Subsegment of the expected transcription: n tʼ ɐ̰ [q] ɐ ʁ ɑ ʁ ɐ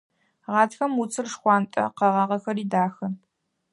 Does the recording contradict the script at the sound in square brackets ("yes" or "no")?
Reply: no